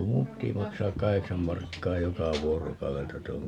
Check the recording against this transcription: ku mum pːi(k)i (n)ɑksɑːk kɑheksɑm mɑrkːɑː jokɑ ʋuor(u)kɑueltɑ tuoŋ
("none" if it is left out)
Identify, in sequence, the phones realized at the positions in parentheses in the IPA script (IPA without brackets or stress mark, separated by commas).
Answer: t, m, o